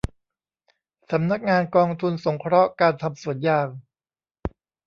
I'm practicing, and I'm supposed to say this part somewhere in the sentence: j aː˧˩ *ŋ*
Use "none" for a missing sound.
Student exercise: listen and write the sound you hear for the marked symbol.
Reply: ŋ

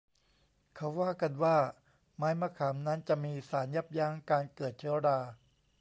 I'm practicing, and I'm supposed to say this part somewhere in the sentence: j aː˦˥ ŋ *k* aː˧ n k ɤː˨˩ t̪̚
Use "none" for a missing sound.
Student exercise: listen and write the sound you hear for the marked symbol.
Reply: k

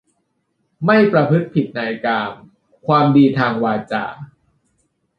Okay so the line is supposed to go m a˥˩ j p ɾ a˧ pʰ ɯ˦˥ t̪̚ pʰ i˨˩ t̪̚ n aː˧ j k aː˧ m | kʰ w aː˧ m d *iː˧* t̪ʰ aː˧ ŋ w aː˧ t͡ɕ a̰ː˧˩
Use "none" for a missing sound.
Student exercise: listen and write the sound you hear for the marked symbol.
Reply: iː˧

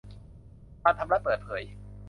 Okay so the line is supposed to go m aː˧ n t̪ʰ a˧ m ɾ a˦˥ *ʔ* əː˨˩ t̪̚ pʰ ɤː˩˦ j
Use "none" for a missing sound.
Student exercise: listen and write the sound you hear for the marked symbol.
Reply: p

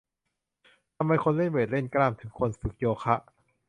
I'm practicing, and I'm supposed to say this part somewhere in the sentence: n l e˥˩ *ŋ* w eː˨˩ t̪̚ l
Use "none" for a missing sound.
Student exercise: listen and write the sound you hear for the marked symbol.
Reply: n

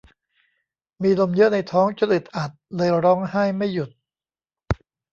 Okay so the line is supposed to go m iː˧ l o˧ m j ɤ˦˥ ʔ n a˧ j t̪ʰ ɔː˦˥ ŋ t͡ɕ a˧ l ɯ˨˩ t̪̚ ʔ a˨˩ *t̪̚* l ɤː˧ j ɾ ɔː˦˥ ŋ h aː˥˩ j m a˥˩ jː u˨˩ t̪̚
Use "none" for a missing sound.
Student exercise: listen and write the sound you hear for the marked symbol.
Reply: t̪̚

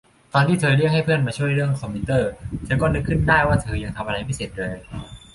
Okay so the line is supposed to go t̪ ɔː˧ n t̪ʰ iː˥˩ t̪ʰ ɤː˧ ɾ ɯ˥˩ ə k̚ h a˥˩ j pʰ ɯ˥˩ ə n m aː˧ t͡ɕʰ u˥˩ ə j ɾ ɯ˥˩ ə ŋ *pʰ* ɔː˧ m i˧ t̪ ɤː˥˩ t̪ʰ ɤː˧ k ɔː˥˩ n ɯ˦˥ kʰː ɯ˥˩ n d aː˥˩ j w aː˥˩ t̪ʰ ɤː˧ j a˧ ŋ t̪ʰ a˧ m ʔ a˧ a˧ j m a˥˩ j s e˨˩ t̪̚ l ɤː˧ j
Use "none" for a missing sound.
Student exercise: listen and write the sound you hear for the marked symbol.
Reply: kʰ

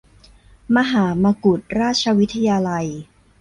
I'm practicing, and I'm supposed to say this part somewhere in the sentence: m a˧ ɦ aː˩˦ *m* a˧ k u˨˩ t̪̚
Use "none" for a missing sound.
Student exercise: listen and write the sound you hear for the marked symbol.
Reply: m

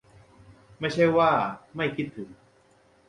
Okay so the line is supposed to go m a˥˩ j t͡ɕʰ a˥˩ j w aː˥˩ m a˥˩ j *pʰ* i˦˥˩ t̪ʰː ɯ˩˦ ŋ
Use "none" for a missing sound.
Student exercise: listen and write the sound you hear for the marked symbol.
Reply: kʰ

